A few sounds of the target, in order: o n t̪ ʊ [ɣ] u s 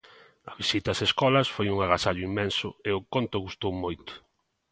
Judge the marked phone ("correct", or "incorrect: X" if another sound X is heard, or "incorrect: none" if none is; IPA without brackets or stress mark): correct